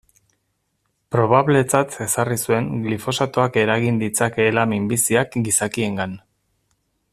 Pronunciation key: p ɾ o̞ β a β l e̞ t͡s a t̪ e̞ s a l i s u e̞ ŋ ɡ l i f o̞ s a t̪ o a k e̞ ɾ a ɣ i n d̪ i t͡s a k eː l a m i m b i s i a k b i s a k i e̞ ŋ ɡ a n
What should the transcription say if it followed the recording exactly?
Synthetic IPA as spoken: p ɾ o̞ β a β l e̞ t͡s a t̪ e̞ s a r i s u e̞ ŋ ɡ l i f o̞ s a t̪ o a k e̞ ɾ a ɣ i n d̪ i t͡s a k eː l a m i m b i s i a k ɡ i s a k i e̞ ŋ ɡ a n